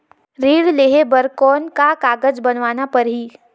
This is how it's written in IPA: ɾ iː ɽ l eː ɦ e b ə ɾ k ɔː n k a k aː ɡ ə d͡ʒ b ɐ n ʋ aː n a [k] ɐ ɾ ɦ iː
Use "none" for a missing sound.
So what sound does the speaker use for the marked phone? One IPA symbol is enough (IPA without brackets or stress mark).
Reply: p